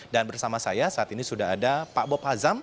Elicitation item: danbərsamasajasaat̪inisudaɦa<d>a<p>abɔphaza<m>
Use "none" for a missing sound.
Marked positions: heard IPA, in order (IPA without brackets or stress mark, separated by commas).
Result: d, p, m